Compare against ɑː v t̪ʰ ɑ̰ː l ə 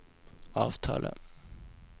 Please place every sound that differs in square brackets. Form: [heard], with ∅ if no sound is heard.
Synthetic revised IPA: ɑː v t̪ʰ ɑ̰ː l ə

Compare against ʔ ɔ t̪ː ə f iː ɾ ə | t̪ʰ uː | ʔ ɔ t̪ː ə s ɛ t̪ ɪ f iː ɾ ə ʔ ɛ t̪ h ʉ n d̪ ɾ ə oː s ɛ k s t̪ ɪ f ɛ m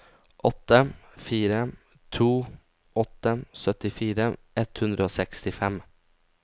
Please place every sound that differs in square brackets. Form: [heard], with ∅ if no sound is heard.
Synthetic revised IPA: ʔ ɔ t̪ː ə f iː ɾ ə | t̪ʰ uː | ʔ ɔ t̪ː ə s [œ] t̪ ɪ f iː ɾ ə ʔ ɛ t̪ h ʉ n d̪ ɾ ə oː s ɛ k s t̪ ɪ f ɛ m

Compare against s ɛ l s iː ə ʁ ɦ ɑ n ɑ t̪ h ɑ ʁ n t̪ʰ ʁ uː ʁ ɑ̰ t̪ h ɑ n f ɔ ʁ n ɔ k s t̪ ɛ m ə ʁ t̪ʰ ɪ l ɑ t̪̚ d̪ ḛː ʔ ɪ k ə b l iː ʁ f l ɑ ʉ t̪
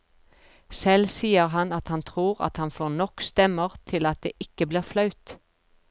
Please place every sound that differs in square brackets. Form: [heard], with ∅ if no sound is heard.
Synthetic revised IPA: s ɛ l s iː ə ʁ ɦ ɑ n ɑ t̪ h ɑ [∅] n t̪ʰ ʁ uː ʁ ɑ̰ t̪ h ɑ n f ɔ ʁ n ɔ k s t̪ ɛ m ə ʁ t̪ʰ ɪ l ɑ t̪̚ d̪ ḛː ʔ ɪ k ə b l iː ʁ f l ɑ ʉ t̪

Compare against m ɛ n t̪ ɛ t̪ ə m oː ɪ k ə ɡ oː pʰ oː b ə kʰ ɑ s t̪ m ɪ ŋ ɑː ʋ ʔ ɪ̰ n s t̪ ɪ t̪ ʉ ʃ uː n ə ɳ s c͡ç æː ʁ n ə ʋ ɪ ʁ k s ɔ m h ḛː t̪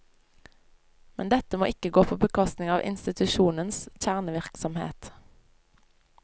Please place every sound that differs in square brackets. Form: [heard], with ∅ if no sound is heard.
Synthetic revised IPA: m ɛ n [d̪] ɛ t̪ ə m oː ɪ k ə ɡ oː pʰ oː b ə kʰ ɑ s t̪ [n] ɪ ŋ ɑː ʋ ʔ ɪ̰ n s t̪ ɪ t̪ ʉ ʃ uː n ə [n] s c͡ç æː ʁ n ə ʋ ɪ ʁ k s ɔ m h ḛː t̪

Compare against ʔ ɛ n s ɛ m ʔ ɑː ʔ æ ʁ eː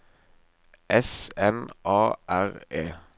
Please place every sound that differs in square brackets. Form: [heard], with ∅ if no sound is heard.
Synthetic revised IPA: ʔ ɛ [∅] s ɛ [n] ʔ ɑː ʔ æ ʁ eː

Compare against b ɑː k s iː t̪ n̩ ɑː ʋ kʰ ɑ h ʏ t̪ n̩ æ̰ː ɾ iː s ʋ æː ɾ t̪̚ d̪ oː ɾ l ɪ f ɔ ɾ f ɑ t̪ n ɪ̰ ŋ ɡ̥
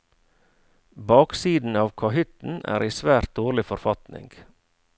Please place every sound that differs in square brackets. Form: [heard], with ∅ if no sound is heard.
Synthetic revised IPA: b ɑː k s iː [d̪] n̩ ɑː ʋ kʰ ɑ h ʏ t̪ n̩ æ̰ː ɾ iː s ʋ æː ɾ t̪̚ d̪ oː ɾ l ɪ f ɔ ɾ f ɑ t̪ n ɪ̰ ŋ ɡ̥

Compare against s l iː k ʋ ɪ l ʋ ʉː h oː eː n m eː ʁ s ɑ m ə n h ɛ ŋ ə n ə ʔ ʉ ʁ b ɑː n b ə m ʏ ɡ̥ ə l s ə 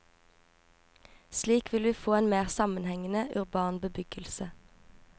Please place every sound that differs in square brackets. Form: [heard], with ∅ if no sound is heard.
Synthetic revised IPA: s l iː k ʋ ɪ l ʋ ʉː [f] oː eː n m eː ʁ s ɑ m ə n h ɛ ŋ ə n ə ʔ ʉ ʁ b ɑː n b ə [b] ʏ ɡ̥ ə l s ə

